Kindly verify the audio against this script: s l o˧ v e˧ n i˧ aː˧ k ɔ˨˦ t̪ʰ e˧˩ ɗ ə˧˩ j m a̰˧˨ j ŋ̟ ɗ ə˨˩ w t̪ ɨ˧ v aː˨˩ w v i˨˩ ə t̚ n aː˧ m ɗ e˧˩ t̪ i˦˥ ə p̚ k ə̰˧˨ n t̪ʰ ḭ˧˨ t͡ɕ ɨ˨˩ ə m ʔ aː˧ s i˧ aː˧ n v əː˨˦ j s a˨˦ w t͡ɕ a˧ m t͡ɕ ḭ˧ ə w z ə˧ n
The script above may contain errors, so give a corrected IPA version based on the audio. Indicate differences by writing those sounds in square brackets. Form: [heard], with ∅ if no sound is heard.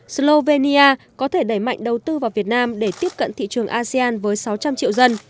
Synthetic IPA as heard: s l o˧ v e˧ n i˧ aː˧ k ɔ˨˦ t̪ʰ e˧˩ ɗ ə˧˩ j m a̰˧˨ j ŋ̟ ɗ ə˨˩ w t̪ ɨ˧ v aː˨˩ w v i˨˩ ə t̚ n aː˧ m ɗ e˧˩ t̪ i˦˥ ə p̚ k ə̰˧˨ n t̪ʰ ḭ˧˨ t͡ɕ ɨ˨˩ ə [ŋ] ʔ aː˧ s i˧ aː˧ n v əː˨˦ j s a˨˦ w t͡ɕ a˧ m t͡ɕ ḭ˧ ə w z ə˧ n